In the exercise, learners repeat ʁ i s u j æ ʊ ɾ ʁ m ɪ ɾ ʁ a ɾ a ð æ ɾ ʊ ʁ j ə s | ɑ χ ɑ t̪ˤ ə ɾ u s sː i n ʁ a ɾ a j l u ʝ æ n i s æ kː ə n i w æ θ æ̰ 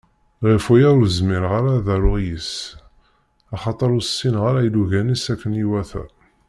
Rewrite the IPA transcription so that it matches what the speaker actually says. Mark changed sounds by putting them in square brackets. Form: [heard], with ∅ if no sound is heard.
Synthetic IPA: ʁ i [f] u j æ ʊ ɾ [z] m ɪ ɾ ʁ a ɾ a ð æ ɾ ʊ ʁ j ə s | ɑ χ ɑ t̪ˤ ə ɾ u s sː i n ʁ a ɾ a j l u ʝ æ n i s æ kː ə n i w æ θ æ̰